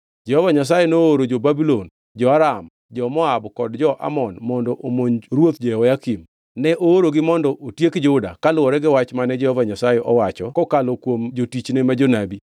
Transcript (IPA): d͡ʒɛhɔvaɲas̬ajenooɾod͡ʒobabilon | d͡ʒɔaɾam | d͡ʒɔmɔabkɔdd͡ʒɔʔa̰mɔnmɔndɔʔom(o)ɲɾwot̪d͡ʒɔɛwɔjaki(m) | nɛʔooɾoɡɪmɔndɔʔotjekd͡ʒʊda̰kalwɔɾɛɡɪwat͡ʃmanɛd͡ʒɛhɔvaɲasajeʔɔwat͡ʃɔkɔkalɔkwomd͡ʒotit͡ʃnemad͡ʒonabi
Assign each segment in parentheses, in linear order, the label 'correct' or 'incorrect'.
correct, correct

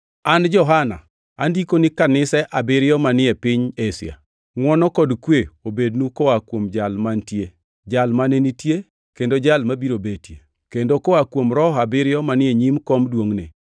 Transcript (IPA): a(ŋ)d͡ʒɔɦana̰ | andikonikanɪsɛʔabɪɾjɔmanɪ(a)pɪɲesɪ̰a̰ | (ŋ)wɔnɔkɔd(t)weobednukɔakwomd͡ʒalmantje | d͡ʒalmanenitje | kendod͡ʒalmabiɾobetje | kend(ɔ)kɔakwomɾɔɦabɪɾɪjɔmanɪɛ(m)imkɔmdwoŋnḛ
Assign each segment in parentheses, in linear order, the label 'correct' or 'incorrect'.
incorrect: n, incorrect: ɛ, correct, incorrect: k, incorrect: o, incorrect: ɲ

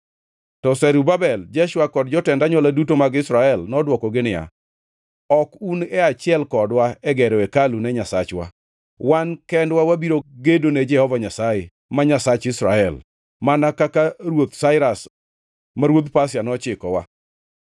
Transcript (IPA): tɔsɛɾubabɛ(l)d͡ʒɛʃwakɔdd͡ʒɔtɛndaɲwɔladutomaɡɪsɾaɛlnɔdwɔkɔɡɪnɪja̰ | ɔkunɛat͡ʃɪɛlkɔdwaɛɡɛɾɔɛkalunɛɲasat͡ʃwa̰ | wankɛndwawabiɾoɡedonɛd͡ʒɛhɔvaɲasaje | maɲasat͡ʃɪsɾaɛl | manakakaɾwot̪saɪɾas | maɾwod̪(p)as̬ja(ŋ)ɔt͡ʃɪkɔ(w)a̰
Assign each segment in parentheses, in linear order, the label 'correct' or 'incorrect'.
correct, correct, incorrect: n, correct

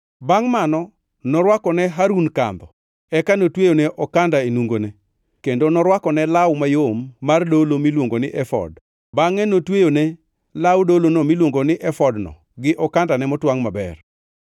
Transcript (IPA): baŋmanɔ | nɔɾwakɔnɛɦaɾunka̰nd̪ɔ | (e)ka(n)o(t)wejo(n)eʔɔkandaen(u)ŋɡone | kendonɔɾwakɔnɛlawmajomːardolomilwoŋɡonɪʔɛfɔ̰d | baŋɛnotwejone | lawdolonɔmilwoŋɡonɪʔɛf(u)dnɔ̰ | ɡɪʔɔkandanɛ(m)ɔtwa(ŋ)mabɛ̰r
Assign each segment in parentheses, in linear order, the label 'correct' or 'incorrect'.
incorrect: ɛ, correct, correct, correct, correct, incorrect: ɔ, correct, correct

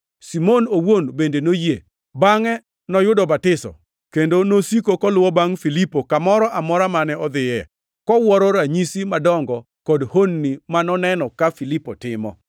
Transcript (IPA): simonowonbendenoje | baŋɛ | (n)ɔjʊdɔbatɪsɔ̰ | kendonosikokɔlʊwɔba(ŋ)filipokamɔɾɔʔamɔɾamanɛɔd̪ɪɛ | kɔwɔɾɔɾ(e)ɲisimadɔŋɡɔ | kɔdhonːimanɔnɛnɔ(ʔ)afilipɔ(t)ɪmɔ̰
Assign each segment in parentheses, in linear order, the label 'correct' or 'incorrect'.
correct, correct, incorrect: a, incorrect: k, correct

